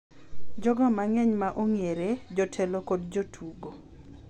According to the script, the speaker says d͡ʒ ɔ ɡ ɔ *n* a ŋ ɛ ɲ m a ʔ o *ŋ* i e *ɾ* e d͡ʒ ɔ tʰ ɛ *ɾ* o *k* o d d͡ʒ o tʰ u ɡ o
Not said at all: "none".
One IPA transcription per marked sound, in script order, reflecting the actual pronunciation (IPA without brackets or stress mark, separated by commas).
m, ŋ, ɾ, l, k